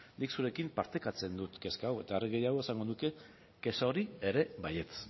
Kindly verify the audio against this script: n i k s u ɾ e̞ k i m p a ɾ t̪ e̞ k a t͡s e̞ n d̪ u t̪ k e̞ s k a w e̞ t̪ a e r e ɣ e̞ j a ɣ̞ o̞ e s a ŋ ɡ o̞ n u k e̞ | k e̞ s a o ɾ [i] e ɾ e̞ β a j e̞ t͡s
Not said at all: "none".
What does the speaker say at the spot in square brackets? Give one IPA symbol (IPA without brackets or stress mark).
i